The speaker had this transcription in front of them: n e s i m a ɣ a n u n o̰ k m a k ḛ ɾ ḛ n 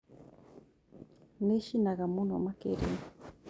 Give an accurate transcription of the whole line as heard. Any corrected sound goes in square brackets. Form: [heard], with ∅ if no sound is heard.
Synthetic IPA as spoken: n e [ʃ] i [n] a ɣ a [m] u n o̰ [∅] m a k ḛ ɾ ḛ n